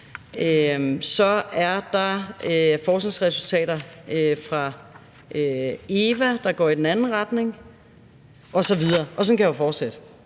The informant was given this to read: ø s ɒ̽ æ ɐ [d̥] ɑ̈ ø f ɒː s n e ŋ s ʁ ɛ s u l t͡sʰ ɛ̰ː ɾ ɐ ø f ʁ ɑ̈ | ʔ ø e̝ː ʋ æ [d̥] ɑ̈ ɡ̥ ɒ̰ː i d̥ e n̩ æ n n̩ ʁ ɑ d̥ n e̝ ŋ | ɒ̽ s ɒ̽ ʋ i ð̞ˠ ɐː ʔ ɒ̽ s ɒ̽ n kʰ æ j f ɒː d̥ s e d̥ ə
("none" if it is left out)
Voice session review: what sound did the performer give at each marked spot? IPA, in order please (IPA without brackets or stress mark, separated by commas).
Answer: d̥, d̥